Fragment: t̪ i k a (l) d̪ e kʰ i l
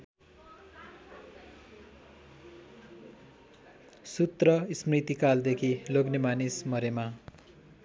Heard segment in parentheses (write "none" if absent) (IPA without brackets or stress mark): l